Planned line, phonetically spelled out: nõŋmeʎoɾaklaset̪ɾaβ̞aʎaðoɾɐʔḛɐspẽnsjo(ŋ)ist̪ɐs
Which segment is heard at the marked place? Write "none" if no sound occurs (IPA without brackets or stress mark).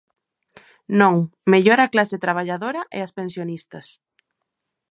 n